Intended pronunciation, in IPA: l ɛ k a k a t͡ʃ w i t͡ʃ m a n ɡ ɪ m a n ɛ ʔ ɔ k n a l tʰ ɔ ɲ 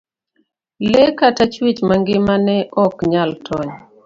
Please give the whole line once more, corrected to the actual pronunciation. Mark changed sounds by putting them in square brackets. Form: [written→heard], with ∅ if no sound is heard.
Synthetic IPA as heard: l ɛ k a [k→t] a t͡ʃ w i t͡ʃ m a [n→ŋ] ɡ ɪ m a n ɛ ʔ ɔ k [n→ɲ] a l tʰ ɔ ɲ